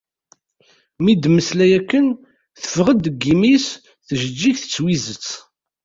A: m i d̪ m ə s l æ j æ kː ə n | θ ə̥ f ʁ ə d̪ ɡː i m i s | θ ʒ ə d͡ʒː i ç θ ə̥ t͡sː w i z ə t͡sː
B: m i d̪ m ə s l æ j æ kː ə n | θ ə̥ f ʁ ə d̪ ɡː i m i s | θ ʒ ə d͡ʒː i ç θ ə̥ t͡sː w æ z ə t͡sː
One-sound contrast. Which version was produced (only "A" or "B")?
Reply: A